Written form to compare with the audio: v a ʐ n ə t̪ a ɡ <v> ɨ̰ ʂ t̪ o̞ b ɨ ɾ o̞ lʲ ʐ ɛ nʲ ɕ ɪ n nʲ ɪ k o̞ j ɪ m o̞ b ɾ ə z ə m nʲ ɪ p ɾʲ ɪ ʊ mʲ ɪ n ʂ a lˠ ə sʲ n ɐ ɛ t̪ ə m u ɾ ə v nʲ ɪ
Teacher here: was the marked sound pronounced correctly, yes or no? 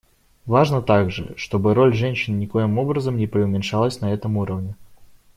no